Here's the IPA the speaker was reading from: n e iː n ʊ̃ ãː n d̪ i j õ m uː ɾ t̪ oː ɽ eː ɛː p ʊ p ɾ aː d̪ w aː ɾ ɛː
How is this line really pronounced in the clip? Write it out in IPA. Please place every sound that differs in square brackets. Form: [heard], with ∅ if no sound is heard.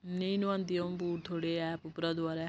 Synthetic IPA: n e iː n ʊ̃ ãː n d̪ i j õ [b] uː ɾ [t̪ʰ] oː ɽ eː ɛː p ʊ p ɾ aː d̪ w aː ɾ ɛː